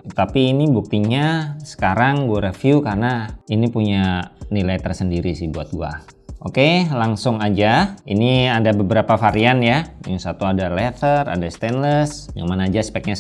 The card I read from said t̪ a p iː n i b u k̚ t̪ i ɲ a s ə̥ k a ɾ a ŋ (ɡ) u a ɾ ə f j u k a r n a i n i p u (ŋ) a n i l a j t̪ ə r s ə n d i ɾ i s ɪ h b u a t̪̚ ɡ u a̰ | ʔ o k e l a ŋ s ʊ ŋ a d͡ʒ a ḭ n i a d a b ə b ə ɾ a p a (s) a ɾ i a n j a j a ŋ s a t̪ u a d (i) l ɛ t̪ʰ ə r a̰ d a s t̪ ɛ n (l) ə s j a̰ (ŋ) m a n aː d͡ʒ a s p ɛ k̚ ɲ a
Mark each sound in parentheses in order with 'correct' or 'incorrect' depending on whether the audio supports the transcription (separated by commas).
correct, incorrect, incorrect, incorrect, correct, correct